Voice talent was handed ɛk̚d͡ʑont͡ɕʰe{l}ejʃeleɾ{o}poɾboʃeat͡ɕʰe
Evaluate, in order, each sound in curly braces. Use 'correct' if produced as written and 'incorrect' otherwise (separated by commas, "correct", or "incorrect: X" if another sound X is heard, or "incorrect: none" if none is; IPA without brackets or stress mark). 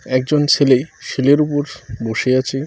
correct, incorrect: u